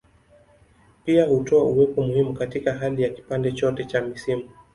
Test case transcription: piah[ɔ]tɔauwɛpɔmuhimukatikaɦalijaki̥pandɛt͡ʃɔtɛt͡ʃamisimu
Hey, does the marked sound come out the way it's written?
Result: no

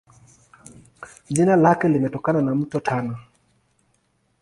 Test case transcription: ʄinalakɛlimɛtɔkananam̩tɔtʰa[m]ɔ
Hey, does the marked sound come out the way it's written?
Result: no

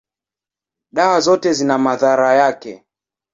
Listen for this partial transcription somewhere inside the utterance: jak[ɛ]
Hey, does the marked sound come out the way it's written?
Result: yes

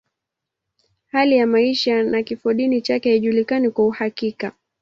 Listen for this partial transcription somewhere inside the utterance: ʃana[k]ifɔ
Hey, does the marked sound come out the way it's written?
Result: yes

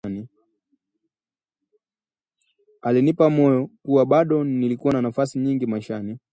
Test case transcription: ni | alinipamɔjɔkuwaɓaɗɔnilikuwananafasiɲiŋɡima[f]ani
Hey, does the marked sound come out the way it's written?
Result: no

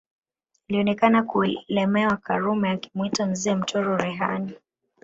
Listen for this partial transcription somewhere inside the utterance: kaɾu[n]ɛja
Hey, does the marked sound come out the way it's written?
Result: no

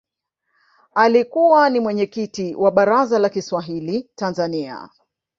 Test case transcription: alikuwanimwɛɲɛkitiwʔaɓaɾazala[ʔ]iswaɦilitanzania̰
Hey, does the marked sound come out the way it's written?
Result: no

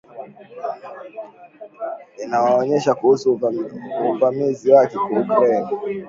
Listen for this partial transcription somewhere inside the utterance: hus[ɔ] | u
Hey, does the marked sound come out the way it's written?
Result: no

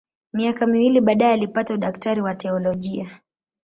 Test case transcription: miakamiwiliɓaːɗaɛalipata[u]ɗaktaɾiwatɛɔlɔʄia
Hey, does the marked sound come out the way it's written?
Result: yes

